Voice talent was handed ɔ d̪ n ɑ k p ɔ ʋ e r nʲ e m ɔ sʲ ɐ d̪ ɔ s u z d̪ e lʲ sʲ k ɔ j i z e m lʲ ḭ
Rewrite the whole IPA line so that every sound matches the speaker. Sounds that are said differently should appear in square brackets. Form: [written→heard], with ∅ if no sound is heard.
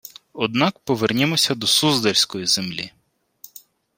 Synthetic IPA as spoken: ɔ d̪ n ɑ k p ɔ ʋ e r nʲ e m ɔ sʲ ɐ d̪ ɔ s u z d̪ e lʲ sʲ k ɔ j i z e m lʲ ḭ